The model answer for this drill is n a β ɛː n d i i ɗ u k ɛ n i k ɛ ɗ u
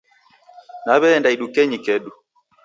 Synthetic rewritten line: n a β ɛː n d a i ɗ u k ɛ ɲ i k ɛ ɗ u